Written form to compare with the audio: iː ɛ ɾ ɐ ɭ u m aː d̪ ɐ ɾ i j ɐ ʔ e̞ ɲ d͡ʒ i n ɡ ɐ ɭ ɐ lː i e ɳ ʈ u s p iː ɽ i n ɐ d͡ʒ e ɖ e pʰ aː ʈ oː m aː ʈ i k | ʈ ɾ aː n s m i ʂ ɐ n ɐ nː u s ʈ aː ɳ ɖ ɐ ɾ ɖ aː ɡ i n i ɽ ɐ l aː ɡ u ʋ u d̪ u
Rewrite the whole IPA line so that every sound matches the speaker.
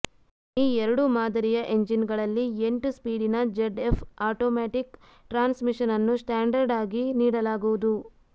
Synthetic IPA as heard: iː ɛ ɾ ɐ ɽ u m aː d̪ ɐ ɾ i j ɐ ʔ e̞ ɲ d͡ʒ i n ɡ ɐ ɭ ɐ lː i e ɳ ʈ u s p iː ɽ i n ɐ d͡ʒ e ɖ e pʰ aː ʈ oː m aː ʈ i k | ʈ ɾ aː n s m i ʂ ɐ n ɐ nː u s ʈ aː ɳ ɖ ɐ ɾ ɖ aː ɡ i n iː ɽ ɐ l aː ɡ u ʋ u d̪ u